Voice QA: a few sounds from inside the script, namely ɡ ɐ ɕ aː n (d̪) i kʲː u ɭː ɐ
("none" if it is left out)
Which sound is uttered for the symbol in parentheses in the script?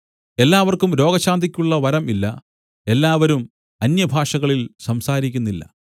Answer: d̪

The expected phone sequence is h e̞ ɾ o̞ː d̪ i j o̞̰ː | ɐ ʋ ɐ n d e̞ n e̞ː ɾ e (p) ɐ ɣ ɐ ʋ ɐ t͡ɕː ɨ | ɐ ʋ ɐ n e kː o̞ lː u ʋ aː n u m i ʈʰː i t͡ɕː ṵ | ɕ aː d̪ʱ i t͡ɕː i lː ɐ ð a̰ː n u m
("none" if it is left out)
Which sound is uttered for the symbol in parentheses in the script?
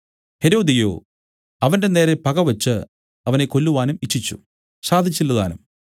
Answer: p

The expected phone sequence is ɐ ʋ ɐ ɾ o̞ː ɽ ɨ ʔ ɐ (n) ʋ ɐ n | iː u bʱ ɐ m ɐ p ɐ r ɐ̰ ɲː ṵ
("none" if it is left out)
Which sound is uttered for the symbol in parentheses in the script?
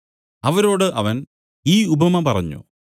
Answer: none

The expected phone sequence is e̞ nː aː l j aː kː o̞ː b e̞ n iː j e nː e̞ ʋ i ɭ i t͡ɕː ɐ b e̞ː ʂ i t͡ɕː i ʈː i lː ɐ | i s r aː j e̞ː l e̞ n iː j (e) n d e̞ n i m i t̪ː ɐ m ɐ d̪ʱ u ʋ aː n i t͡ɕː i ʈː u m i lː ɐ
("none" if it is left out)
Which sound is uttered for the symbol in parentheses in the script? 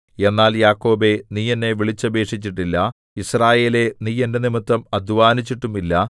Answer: e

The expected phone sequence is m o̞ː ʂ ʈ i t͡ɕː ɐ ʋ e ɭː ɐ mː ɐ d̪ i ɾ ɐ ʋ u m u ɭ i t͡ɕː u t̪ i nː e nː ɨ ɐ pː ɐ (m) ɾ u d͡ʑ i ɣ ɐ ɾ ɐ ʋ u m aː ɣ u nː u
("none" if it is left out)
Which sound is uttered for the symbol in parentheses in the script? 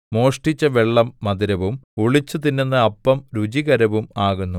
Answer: m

